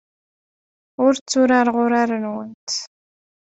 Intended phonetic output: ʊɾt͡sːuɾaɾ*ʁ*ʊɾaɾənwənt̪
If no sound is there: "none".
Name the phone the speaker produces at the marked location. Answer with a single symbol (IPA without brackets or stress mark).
ʁ